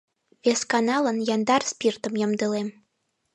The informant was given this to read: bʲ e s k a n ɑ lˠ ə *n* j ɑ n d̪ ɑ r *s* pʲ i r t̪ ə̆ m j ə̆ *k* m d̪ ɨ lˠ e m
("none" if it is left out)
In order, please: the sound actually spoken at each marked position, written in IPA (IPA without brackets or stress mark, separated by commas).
n, s, none